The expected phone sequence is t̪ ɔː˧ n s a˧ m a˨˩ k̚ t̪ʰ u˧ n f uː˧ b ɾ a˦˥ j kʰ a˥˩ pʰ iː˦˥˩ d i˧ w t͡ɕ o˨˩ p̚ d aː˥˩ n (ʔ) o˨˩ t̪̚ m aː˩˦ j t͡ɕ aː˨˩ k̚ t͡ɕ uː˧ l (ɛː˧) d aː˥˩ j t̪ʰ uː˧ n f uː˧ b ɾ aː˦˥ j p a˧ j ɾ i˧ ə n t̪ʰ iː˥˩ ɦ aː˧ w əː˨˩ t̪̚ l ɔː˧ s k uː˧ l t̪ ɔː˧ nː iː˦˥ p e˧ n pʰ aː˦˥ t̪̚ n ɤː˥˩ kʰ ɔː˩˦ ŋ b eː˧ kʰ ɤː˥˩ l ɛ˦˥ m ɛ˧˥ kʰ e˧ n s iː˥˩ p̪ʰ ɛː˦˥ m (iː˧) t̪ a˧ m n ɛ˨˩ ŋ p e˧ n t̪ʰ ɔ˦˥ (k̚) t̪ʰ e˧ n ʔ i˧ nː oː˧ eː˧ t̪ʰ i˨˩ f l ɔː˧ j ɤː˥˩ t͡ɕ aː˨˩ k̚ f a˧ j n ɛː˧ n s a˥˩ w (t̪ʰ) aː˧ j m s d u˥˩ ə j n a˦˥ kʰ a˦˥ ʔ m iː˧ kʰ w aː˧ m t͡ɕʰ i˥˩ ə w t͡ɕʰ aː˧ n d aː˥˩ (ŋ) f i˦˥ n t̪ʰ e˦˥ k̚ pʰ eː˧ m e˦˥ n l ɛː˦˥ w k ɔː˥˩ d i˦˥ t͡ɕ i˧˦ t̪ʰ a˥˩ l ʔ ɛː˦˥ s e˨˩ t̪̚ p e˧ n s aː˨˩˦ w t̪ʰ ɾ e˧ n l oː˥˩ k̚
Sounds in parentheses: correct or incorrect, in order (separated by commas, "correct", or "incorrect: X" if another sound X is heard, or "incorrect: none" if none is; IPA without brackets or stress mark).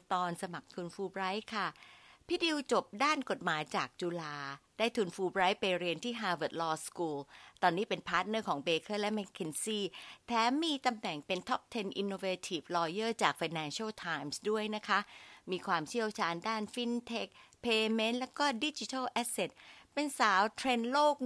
incorrect: k, incorrect: aː˧, correct, incorrect: p̚, correct, incorrect: n